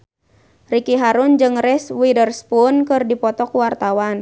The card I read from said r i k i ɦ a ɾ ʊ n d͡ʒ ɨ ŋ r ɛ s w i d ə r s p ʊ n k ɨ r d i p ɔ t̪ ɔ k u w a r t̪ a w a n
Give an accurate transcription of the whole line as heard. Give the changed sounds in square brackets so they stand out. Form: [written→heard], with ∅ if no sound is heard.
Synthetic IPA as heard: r i k i ɦ a ɾ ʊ n d͡ʒ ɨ ŋ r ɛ s w i d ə r s p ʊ n k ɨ r d i p ɔ t̪ ɔ k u w a r t̪ a w a n